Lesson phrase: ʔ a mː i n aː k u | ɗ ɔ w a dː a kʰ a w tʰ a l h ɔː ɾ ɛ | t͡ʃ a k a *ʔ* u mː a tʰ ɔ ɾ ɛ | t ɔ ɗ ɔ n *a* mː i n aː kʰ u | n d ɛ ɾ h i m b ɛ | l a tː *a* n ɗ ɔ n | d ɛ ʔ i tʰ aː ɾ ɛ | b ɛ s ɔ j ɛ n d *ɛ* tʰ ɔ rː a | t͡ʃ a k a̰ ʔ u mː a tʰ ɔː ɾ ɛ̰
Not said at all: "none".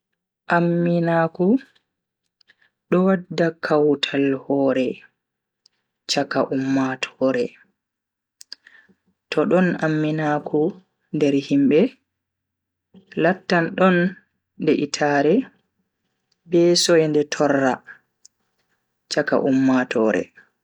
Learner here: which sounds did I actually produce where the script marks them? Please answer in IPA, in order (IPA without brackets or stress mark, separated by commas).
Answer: ʔ, a, a, ɛ